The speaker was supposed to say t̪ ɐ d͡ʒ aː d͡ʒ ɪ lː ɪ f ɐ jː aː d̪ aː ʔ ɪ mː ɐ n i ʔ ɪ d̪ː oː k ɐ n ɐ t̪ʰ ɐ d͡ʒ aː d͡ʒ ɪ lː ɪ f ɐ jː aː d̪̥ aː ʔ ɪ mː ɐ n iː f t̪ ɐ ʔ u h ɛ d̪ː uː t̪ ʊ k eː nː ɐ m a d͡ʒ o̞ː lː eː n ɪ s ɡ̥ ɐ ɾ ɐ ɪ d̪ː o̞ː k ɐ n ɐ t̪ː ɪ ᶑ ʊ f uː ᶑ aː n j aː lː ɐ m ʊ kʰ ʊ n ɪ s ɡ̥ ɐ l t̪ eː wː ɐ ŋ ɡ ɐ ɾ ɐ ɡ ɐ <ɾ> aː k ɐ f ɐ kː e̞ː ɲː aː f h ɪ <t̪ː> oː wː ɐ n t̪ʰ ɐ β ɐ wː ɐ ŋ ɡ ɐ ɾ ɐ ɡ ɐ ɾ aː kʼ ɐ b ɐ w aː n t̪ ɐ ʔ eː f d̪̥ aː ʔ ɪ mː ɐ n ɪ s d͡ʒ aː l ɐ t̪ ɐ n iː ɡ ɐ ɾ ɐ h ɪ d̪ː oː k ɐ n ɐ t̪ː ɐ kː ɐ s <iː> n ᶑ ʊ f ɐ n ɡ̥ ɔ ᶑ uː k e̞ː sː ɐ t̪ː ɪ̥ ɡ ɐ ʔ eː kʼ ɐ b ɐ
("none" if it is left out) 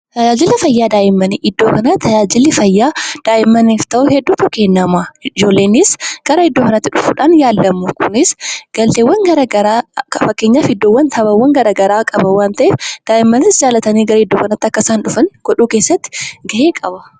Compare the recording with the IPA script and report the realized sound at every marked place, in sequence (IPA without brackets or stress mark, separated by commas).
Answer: ɾ, d̪ː, aː